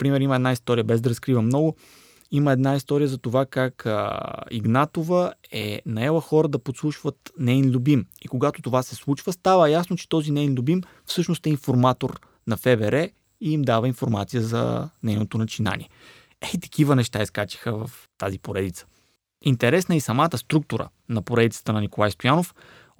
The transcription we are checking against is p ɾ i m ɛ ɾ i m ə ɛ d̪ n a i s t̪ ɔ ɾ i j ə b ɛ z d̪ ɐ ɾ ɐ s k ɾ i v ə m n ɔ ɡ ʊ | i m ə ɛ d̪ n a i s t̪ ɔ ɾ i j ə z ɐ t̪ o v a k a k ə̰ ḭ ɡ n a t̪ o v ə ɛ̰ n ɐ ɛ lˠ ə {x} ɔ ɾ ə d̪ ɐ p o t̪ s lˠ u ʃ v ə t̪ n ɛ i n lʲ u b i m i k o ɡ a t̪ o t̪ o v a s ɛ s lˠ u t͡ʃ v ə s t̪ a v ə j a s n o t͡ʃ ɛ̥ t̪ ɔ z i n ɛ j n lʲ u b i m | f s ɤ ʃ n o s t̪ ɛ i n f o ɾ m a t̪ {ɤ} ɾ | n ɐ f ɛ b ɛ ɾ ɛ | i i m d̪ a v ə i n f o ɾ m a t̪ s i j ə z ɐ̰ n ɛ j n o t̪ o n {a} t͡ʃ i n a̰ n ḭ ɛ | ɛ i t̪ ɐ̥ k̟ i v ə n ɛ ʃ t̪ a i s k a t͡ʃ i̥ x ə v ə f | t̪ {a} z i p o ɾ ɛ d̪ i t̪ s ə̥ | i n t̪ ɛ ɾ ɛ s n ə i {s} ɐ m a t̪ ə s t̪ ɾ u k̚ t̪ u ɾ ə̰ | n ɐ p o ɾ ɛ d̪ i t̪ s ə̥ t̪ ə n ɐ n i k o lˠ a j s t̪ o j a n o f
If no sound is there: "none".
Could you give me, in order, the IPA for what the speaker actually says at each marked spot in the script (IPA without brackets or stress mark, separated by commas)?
x, o, ɐ, a, s